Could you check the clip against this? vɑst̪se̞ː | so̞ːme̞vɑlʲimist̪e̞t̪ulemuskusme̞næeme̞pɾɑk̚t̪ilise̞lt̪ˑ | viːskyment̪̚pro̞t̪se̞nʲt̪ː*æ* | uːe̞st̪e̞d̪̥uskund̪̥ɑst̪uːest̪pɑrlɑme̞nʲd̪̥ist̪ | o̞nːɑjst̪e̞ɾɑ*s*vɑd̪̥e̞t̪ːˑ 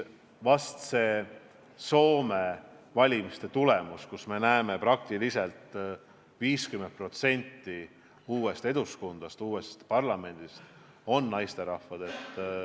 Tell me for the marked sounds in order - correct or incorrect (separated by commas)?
incorrect, incorrect